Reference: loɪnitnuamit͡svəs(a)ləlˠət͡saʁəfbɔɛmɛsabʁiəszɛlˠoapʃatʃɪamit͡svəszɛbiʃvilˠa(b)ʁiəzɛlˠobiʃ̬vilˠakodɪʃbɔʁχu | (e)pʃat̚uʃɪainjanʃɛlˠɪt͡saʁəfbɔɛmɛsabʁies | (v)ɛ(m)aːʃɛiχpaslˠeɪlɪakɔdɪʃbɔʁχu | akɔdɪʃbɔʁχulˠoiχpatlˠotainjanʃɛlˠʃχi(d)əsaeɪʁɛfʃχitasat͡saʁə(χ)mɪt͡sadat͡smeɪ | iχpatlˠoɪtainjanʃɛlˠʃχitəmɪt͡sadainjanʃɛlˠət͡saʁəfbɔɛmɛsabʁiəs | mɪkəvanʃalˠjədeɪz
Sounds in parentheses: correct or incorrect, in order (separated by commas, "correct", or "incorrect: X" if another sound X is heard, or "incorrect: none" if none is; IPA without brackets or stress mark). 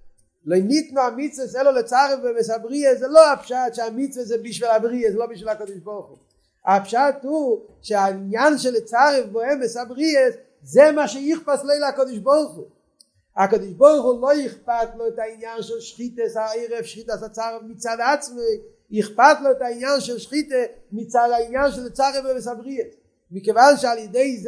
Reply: incorrect: ɛ, correct, incorrect: a, incorrect: z, correct, incorrect: t, incorrect: f